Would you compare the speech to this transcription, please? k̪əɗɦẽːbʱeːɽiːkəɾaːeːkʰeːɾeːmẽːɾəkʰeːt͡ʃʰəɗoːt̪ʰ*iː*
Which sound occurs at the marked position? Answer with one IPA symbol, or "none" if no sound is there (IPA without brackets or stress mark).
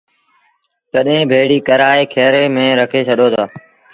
aː